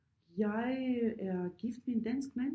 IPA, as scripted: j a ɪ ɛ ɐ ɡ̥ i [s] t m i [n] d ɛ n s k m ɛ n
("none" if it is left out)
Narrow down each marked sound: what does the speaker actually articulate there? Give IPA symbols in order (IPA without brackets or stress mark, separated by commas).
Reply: f, n